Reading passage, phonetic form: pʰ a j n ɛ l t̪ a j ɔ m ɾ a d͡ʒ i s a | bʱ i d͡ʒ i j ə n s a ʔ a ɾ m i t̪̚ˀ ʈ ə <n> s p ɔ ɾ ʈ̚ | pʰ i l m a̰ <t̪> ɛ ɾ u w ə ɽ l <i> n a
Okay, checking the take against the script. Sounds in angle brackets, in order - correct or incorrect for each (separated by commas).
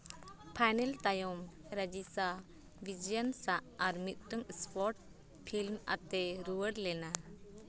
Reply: incorrect, correct, incorrect